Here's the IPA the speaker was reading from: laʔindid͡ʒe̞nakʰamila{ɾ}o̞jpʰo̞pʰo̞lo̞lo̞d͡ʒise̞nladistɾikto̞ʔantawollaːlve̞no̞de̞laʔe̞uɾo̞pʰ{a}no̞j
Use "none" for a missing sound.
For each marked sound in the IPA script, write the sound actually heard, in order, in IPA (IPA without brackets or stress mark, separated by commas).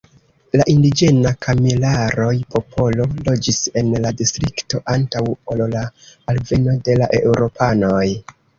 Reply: ɾ, a